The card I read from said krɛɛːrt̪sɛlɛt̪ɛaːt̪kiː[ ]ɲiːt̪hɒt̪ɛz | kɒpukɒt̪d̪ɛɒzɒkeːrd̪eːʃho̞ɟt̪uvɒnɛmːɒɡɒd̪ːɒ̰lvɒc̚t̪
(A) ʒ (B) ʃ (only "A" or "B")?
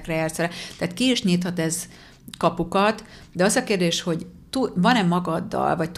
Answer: B